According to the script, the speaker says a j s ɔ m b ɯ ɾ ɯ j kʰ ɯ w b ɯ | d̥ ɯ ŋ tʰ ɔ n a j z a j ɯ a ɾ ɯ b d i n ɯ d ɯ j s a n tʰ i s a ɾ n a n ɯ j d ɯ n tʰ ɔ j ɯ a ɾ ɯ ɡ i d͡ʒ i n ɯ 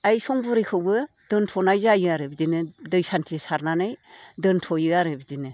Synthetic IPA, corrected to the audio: a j s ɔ ŋ b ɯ ɾ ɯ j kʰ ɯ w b ɯ | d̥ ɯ n tʰ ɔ n a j z a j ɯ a ɾ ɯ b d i n ɯ d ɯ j s a n tʰ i s a ɾ n a n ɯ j d ɯ n tʰ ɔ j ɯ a ɾ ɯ b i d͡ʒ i n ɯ